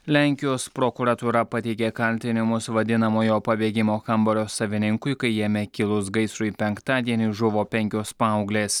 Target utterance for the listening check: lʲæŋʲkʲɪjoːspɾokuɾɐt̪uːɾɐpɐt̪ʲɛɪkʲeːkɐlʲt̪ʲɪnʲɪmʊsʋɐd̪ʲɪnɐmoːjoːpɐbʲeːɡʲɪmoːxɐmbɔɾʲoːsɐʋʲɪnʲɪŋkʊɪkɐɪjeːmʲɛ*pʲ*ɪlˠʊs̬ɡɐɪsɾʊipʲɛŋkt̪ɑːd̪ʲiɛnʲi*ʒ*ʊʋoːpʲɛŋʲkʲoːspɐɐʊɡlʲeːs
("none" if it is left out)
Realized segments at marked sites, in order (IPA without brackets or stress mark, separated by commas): kʲ, ʒ